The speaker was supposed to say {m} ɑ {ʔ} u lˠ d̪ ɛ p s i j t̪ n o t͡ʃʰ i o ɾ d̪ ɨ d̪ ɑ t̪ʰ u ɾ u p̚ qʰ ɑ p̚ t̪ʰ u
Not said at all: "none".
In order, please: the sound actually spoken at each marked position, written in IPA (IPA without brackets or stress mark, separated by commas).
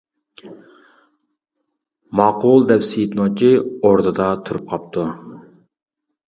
m, q